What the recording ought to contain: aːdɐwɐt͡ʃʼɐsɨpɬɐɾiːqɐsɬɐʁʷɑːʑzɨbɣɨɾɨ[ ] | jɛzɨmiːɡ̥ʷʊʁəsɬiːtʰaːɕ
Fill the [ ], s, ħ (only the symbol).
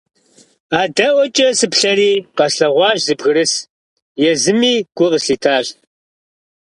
s